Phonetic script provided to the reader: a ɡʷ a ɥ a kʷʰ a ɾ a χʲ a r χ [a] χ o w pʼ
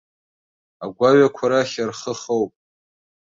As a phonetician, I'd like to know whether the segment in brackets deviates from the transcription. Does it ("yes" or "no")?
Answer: yes